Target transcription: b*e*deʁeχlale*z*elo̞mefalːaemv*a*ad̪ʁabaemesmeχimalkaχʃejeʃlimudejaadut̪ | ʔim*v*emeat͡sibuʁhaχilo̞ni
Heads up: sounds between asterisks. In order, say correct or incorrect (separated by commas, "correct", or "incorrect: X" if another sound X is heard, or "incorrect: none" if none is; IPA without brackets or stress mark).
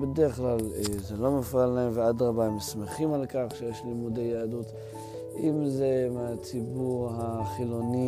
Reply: correct, correct, incorrect: e, incorrect: z